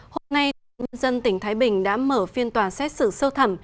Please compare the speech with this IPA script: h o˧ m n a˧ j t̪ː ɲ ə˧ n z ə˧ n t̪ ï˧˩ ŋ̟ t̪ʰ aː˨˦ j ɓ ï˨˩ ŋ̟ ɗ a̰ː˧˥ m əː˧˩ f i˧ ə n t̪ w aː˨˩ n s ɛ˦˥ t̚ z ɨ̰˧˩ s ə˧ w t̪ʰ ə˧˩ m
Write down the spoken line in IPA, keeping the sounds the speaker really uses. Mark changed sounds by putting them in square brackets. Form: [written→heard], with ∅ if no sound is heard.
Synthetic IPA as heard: h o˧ m n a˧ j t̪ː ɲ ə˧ n z ə˧ n t̪ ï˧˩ ŋ̟ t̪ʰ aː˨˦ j ɓ ï˨˩ ŋ̟ ɗ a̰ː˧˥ m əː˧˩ f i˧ ə n t̪ w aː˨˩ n s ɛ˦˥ t̚ [z→s] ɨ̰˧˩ s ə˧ w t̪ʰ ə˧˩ m